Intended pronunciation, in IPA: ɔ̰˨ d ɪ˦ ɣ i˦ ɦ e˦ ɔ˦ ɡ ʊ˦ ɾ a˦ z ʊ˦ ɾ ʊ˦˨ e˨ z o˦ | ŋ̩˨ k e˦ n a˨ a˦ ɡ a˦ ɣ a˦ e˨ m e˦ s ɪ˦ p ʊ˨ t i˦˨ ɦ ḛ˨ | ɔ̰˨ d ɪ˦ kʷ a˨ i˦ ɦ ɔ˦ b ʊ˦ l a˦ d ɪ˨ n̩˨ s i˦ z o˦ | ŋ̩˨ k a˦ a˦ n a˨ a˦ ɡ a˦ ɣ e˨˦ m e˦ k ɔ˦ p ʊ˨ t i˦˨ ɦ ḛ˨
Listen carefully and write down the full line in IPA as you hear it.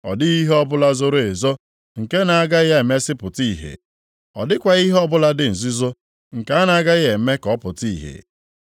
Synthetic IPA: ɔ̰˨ d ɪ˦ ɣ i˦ ɦ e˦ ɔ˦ b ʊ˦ l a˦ z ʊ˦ ɾ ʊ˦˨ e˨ z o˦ | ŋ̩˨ k e˦ n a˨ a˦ ɡ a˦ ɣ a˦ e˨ m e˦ s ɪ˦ p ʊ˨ t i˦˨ ɦ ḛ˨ | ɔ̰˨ d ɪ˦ kʷ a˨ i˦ ɦ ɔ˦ b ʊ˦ l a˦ d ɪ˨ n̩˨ z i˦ z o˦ | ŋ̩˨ k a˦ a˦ n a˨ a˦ ɡ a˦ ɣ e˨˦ m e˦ k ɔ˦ p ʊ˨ t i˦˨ ɦ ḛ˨